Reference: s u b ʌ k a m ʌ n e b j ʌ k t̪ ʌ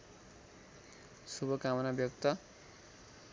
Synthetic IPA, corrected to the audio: s u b ʌ k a m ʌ n a b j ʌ k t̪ ʌ